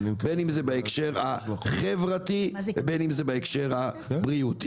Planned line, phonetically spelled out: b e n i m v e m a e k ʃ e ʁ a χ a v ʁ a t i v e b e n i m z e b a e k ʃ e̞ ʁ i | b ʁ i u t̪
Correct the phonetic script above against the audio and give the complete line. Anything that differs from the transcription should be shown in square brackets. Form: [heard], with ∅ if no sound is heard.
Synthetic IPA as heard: b e n i m [z] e [b] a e k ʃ e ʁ a χ [e] v ʁ a t i v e b e n i m z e b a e k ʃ e̞ ʁ [a] | b ʁ i u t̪